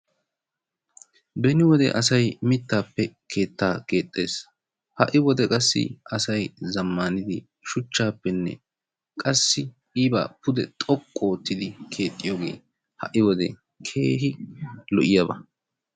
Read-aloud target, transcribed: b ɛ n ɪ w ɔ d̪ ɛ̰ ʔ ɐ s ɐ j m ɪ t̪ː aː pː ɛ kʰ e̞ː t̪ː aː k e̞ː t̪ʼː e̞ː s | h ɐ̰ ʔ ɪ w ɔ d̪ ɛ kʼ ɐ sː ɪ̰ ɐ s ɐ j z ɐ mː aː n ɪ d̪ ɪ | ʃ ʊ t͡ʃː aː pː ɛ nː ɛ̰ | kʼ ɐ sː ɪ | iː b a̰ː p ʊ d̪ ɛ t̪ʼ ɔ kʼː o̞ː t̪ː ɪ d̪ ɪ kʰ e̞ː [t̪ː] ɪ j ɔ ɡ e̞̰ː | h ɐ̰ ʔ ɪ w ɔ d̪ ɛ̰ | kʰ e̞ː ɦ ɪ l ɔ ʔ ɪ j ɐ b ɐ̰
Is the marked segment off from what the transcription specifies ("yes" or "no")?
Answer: yes